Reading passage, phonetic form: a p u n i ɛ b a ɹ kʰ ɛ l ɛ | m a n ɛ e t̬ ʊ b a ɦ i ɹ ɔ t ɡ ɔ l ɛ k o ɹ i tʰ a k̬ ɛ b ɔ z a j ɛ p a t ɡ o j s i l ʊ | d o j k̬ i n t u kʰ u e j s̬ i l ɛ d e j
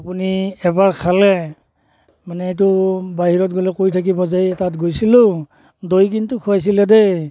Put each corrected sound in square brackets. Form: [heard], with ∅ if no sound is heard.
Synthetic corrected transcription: a p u n i ɛ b a ɹ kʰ [a] l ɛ | m a n ɛ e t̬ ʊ b a ɦ i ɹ ɔ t ɡ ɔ l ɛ k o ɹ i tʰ a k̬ [i] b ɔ z a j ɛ [t] a t ɡ o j s i l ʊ | d o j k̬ i n t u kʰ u [a] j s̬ i l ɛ d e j